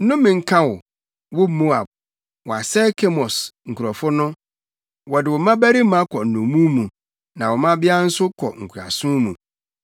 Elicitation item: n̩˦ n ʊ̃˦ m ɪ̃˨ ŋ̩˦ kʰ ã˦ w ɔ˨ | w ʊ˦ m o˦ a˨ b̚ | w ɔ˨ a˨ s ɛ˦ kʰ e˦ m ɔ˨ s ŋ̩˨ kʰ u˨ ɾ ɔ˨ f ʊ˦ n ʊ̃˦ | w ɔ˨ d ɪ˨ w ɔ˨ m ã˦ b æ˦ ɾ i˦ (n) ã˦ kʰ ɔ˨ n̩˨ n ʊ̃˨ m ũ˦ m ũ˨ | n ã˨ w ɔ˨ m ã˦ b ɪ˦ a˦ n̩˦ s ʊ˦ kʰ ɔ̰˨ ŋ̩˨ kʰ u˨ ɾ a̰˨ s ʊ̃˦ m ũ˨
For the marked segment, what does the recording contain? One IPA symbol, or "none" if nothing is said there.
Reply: m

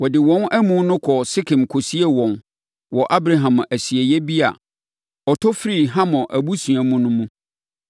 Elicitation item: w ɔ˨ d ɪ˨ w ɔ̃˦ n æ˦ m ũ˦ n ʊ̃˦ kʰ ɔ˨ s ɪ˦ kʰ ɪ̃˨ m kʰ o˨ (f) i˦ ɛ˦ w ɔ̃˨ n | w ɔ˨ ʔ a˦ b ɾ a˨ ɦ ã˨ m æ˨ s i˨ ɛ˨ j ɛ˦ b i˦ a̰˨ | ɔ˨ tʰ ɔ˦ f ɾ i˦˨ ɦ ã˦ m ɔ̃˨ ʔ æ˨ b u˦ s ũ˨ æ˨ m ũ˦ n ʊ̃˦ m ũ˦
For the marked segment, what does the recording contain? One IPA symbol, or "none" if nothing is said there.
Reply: s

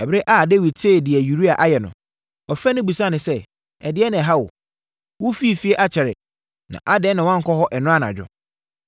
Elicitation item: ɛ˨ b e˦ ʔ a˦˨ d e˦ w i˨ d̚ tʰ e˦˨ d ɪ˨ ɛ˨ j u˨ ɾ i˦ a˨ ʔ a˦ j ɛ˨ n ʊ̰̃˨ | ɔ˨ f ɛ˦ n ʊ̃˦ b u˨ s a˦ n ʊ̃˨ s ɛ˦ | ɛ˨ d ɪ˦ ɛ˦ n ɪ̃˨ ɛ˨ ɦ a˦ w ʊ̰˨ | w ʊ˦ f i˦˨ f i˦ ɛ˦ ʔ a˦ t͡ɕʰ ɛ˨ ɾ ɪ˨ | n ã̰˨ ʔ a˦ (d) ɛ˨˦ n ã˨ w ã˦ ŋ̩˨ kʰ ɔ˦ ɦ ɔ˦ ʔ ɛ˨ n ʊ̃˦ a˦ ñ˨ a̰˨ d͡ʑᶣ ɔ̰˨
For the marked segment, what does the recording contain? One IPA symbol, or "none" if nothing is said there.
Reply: d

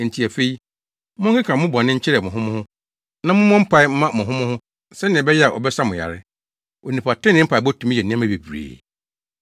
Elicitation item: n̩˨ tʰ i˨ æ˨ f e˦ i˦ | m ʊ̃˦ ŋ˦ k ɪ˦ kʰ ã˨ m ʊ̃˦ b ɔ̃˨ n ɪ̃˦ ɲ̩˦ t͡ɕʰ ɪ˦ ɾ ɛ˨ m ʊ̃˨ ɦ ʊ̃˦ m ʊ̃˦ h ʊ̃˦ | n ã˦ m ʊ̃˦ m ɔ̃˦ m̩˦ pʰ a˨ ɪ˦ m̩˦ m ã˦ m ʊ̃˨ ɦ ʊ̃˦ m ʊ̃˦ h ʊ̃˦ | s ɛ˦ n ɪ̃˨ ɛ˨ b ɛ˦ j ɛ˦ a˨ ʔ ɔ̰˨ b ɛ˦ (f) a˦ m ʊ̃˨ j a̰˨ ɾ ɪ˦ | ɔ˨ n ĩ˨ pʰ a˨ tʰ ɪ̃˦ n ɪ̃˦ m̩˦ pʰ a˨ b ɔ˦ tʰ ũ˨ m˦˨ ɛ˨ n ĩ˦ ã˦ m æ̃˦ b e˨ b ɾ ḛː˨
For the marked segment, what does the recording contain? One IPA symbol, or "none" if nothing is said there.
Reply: s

